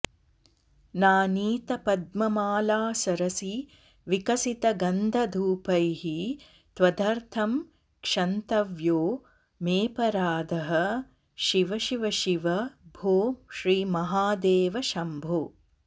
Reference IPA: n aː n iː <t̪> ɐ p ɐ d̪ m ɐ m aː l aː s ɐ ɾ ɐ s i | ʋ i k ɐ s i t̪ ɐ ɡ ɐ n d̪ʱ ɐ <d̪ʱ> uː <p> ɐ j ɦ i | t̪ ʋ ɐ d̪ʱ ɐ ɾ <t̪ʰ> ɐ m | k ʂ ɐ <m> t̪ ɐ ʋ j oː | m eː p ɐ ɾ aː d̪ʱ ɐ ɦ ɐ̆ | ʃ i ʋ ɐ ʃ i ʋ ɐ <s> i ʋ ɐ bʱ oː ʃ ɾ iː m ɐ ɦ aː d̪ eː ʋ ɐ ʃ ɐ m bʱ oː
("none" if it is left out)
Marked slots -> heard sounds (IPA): t̪, d̪ʱ, p, t̪ʰ, n, ʃ

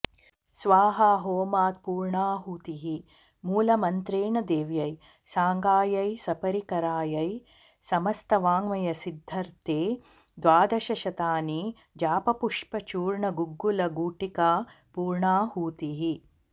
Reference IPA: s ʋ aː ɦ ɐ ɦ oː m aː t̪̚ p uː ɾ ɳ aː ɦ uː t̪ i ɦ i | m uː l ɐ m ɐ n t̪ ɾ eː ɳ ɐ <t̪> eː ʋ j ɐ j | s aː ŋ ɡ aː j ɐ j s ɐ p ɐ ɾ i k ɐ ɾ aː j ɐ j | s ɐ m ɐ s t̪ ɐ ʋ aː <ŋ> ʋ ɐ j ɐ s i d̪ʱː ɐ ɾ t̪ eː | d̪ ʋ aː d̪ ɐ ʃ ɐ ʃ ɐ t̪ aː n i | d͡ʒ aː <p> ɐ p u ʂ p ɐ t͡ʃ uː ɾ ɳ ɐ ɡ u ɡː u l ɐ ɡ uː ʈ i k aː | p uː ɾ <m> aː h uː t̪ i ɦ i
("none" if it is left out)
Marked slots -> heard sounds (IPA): d̪, ŋ, p, ɳ

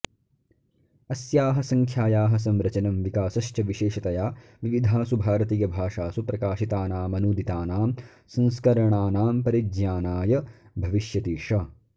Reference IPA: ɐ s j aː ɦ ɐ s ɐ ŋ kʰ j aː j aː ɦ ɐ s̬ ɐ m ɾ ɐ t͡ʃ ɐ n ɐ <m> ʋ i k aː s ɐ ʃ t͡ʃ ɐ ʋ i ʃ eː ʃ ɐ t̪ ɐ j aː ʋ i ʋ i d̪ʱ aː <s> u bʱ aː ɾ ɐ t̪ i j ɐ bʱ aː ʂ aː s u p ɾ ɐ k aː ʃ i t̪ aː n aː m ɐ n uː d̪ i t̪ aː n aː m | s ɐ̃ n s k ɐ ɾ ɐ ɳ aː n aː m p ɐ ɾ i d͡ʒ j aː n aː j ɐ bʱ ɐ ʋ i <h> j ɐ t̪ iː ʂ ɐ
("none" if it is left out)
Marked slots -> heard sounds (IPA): m, s, ʃ

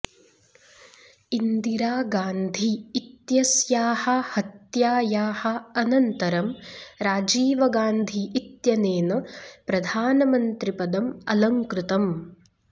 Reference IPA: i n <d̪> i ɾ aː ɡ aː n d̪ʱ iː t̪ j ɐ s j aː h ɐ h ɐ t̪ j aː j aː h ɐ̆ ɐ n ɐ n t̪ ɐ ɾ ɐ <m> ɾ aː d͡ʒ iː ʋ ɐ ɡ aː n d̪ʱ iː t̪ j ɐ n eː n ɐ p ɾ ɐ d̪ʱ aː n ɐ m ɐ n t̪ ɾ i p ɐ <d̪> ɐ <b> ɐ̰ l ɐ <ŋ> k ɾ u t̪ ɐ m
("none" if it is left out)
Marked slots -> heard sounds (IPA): d̪, m, d̪, m, ŋ

